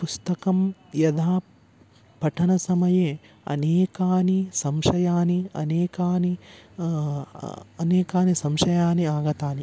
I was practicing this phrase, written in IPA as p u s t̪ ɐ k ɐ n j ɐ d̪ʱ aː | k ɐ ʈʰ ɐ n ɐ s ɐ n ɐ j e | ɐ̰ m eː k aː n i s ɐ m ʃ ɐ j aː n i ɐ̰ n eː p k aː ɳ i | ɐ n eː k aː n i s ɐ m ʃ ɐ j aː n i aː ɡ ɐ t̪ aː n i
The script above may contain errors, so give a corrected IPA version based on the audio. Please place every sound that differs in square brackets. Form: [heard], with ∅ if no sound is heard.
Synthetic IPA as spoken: p u s t̪ ɐ k ɐ [m] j ɐ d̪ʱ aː | [p] ɐ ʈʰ ɐ n ɐ s ɐ [m] ɐ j e | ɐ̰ [n] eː k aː n i s ɐ m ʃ ɐ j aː n i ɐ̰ n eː [∅] k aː [n] i | ɐ n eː k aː n i s ɐ m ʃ ɐ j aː n i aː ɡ ɐ t̪ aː n i